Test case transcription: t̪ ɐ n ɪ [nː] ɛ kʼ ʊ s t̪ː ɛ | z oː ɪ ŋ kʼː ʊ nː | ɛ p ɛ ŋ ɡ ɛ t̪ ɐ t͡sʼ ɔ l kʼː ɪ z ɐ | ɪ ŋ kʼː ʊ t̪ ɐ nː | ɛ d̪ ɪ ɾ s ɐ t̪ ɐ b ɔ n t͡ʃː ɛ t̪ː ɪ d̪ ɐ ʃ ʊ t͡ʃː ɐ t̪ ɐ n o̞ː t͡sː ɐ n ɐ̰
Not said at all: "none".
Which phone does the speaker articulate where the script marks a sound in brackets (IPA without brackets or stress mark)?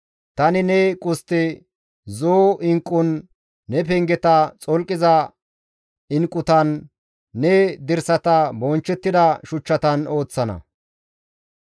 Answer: n